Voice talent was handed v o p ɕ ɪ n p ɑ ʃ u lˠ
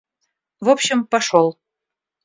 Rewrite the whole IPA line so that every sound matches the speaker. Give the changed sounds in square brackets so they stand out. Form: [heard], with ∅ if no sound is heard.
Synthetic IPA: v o p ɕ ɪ [m] p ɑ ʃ [o] lˠ